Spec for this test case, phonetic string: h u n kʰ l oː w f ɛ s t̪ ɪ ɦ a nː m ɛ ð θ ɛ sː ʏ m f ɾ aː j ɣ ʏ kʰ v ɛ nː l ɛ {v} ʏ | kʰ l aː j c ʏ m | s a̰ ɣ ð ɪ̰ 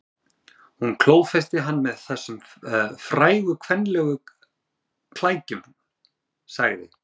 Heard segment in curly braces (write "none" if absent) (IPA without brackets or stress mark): ɣ